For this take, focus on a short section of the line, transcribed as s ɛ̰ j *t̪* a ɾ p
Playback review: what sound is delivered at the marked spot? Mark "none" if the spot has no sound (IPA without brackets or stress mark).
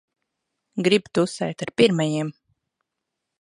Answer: t̪